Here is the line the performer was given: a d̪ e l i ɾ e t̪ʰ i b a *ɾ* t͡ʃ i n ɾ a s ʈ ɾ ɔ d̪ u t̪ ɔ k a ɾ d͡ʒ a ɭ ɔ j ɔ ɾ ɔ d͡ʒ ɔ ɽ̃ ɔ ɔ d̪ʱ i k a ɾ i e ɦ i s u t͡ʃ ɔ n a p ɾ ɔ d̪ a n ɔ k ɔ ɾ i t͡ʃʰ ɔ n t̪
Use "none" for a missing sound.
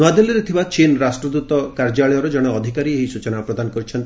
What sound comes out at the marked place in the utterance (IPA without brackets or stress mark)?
none